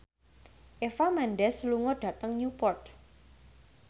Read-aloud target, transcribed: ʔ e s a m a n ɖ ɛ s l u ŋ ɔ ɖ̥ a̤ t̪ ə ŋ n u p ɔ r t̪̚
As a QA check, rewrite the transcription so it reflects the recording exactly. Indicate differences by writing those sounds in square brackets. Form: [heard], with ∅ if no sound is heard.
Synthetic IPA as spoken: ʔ e [f] a m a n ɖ ɛ s l u ŋ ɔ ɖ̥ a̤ t̪ ə ŋ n u p ɔ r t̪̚